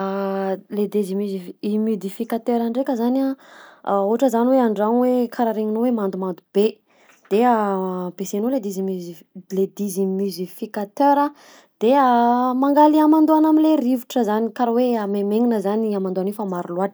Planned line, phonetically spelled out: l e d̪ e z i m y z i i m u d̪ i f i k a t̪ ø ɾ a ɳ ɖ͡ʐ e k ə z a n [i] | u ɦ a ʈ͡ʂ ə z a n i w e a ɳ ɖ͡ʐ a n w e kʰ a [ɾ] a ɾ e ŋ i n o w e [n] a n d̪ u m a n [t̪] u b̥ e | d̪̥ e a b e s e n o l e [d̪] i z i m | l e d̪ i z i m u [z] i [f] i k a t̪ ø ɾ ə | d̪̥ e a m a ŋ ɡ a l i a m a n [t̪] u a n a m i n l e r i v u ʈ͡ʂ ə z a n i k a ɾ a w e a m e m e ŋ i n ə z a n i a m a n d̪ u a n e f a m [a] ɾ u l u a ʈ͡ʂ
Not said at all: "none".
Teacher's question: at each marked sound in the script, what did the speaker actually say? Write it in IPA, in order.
a, ɾ, m, d̪, d̪, z, f, d̪, a

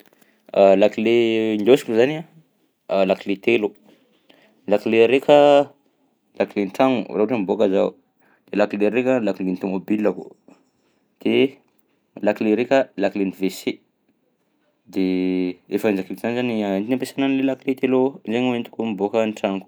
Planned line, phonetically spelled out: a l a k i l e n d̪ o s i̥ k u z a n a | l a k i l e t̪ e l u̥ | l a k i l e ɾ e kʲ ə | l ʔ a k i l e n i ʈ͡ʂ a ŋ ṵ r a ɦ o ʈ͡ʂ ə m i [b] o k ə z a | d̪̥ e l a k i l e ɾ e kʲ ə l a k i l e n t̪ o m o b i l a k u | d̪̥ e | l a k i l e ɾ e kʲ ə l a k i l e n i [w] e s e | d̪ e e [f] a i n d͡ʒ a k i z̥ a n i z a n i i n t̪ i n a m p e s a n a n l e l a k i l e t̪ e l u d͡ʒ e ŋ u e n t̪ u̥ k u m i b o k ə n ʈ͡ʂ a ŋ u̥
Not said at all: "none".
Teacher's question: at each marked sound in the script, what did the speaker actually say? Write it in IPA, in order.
b, v, f

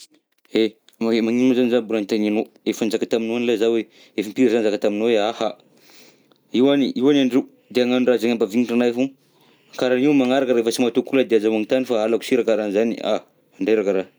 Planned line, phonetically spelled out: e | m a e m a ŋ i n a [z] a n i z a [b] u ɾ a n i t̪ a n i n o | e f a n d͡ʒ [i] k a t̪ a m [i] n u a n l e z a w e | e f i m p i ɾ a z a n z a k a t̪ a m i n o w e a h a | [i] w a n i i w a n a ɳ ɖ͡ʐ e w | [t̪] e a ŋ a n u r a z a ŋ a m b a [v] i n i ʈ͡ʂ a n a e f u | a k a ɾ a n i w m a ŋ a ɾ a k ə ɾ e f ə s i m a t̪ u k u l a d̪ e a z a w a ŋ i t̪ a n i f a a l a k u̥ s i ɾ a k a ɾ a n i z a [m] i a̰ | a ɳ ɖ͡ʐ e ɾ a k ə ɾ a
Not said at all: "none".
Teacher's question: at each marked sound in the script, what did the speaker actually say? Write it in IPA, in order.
z, b, a, i, i, d̪, v, n

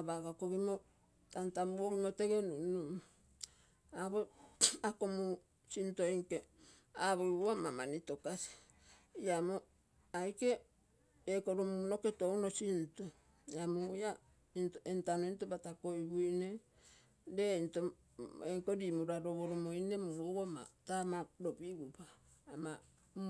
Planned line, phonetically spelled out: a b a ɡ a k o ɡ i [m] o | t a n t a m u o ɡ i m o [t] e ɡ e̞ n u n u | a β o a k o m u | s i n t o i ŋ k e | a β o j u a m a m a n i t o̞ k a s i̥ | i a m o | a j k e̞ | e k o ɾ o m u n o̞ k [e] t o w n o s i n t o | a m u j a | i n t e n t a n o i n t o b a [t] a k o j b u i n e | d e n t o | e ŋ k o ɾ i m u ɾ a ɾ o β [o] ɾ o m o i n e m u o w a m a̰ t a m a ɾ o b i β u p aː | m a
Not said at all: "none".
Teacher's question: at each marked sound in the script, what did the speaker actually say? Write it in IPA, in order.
m, t, e, t, o

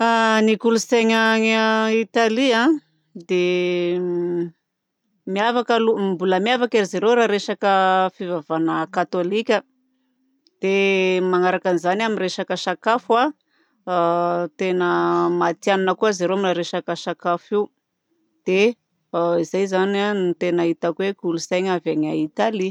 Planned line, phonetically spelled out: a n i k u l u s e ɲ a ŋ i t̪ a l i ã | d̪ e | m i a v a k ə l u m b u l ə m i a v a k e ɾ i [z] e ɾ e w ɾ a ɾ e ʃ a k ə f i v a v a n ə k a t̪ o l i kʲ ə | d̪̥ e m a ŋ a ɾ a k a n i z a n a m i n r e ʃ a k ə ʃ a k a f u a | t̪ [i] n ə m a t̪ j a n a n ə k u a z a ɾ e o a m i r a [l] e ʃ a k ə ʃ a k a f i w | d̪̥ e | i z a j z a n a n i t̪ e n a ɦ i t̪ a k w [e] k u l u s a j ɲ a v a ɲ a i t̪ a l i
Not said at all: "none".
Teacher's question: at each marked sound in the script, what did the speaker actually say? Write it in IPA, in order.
z, e, ɾ, e

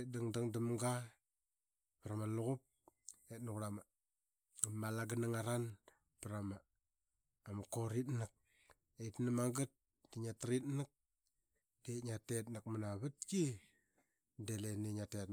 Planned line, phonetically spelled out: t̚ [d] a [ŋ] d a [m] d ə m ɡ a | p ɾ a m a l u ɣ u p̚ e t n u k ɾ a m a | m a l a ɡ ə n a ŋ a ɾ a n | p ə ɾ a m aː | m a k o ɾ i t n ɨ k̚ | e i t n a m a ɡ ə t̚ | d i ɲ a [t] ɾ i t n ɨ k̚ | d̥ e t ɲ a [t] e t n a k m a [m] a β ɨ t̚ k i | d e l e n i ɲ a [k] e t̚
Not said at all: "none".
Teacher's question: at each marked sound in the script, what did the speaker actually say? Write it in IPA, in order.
d, ŋ, ŋ, t, t, n, t

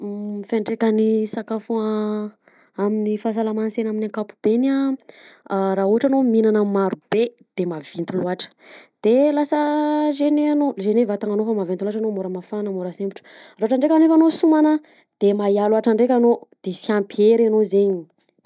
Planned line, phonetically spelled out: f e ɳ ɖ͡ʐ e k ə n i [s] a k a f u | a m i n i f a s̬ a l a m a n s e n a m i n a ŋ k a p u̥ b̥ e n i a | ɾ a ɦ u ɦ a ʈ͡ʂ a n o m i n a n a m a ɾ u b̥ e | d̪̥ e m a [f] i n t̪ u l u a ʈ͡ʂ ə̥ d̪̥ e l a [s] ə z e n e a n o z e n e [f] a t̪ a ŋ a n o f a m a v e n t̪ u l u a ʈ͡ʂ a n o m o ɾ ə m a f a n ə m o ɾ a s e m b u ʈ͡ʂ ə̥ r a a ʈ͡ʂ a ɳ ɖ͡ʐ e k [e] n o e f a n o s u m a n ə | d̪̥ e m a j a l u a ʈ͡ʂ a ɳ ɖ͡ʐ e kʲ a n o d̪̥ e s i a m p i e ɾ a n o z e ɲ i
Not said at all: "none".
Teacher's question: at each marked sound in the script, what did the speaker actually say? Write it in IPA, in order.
s, v, s, v, a

